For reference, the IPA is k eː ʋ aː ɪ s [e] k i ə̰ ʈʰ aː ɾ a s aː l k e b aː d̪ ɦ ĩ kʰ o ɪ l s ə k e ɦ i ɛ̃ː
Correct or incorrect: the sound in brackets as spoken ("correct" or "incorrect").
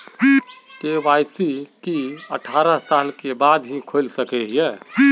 incorrect